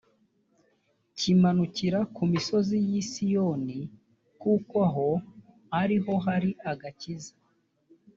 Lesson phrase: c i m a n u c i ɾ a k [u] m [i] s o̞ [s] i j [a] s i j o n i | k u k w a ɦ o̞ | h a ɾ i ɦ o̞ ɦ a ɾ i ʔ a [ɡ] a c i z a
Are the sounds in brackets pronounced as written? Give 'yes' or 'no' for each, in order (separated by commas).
yes, yes, no, no, yes